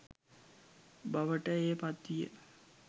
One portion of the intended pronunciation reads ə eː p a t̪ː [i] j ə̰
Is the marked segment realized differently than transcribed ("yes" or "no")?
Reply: no